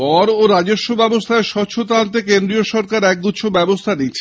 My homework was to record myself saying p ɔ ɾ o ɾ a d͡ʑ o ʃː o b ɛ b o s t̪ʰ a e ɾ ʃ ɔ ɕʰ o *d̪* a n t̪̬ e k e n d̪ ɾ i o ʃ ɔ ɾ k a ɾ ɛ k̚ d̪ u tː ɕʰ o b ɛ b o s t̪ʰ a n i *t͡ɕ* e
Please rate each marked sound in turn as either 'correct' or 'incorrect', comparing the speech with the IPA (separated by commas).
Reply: incorrect, incorrect